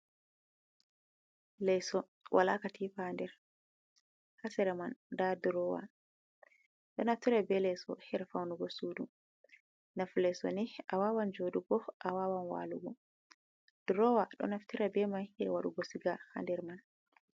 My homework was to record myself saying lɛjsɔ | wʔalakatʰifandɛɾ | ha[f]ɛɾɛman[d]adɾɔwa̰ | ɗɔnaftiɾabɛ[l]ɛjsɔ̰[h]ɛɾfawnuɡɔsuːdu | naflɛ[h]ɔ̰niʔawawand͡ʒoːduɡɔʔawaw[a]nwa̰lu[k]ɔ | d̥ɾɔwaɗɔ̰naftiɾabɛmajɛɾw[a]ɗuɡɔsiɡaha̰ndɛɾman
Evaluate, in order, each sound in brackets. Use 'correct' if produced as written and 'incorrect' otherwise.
incorrect, correct, correct, correct, incorrect, correct, incorrect, correct

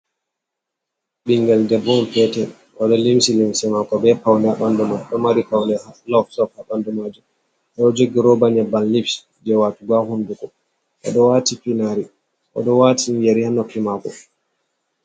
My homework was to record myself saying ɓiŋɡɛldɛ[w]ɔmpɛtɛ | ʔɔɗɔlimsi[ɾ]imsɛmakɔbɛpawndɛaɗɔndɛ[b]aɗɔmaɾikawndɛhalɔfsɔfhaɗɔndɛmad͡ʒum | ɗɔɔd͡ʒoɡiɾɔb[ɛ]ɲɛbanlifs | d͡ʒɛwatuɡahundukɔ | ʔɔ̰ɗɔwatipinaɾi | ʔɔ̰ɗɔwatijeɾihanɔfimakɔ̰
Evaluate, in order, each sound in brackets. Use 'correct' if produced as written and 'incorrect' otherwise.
incorrect, incorrect, incorrect, incorrect

